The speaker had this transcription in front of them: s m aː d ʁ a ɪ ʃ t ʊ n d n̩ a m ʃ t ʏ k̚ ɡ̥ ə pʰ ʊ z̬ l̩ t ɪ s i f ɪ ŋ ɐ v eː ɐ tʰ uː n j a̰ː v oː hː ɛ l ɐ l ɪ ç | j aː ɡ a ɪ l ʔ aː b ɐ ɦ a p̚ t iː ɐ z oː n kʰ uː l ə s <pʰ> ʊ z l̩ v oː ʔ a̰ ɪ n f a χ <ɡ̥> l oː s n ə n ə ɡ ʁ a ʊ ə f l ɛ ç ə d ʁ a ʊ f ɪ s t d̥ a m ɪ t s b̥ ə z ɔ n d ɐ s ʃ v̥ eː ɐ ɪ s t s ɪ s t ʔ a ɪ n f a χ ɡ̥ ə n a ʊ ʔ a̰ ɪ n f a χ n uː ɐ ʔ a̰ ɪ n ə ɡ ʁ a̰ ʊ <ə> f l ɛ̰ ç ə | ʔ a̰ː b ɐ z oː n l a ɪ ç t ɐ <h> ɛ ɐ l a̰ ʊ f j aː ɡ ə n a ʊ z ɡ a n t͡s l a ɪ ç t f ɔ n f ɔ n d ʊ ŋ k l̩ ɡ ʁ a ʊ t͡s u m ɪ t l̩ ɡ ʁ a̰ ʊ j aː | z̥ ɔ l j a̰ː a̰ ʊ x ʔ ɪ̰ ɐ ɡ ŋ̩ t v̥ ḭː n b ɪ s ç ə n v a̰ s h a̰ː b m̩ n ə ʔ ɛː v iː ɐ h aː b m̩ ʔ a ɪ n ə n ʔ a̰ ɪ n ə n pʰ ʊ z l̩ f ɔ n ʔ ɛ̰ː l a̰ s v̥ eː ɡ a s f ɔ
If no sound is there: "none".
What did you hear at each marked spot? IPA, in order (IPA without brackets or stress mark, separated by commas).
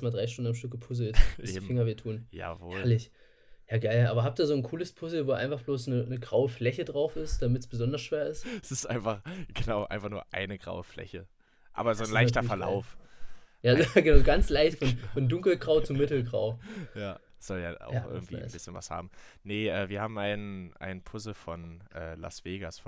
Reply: pʰ, b̥, ə, f